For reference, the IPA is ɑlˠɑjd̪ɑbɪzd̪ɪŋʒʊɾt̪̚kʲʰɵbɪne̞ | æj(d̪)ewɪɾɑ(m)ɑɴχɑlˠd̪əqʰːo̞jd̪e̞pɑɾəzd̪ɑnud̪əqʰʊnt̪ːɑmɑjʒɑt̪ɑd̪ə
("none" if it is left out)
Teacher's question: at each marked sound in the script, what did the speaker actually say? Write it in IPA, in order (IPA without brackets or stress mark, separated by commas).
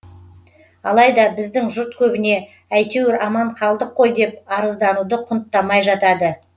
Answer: t̪, m